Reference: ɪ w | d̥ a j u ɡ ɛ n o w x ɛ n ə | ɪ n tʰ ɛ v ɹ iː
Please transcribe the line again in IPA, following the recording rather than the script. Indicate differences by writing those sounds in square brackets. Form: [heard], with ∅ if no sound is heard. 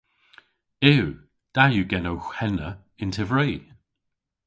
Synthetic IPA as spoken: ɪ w | d̥ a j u ɡ ɛ n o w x ɛ n ə | ɪ n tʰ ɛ v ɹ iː